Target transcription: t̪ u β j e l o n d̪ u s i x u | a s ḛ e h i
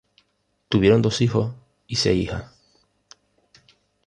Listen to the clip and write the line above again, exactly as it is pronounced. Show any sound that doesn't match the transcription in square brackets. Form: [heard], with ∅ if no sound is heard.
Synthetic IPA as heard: t̪ u β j e [ɾ] o n d̪ [o] s i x [o] | [i] s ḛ [i] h [a]